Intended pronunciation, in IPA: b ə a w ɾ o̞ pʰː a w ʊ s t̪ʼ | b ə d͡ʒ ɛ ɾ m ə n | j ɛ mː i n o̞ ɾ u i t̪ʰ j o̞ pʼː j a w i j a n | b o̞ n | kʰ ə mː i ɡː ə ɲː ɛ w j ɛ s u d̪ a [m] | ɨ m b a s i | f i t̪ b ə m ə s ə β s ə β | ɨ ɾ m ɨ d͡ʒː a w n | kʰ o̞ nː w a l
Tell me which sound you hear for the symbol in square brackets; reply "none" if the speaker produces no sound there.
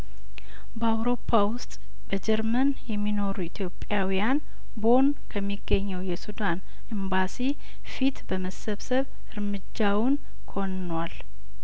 n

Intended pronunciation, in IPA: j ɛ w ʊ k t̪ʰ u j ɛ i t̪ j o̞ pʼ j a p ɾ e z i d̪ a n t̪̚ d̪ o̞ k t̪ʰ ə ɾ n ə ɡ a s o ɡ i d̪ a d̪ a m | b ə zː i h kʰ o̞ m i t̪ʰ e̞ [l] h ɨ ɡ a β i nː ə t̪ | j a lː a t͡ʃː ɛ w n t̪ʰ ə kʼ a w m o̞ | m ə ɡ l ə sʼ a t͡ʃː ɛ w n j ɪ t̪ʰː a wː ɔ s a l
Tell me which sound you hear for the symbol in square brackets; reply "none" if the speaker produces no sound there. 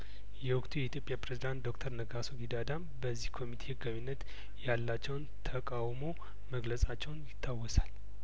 none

